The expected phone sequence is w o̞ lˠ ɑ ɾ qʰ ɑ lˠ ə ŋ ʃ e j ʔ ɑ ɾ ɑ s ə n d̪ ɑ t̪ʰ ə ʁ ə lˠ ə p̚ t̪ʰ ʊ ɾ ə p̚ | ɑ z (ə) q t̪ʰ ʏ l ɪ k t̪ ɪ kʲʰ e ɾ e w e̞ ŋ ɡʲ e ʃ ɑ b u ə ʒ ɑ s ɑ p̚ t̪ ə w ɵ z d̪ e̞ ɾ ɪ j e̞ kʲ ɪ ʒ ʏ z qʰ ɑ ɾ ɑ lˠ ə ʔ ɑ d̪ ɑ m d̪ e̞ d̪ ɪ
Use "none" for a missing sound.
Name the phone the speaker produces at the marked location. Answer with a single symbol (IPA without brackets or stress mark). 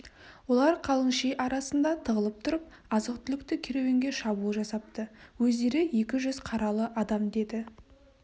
ə